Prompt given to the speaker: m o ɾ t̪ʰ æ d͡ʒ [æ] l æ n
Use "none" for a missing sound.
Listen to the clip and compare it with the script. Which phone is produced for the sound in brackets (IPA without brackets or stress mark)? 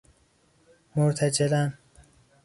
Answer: e